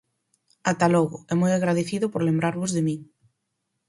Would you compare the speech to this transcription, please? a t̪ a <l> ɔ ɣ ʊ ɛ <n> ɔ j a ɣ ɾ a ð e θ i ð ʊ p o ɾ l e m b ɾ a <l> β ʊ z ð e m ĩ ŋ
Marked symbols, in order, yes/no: yes, no, no

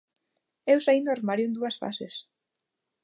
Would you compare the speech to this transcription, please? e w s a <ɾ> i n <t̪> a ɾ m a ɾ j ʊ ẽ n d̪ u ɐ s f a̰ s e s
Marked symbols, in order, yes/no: no, no

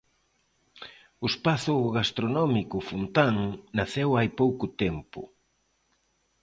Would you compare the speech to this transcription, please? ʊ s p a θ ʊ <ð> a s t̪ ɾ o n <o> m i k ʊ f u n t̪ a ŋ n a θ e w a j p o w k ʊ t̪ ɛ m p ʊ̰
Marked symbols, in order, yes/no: no, no

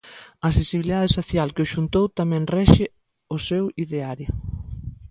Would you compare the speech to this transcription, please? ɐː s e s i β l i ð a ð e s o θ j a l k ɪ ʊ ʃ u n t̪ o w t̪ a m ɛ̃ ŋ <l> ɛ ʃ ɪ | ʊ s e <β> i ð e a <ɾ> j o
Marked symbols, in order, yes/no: no, no, yes

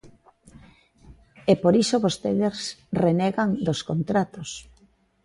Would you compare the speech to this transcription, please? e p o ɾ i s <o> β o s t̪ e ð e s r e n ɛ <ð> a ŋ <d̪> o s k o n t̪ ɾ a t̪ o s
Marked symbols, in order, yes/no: yes, no, yes

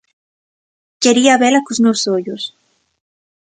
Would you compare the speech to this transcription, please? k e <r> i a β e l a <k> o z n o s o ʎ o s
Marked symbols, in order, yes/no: no, yes

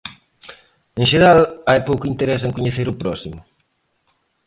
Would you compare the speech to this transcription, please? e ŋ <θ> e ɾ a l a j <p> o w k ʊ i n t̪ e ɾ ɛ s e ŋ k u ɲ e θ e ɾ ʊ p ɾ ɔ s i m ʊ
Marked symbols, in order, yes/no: no, yes

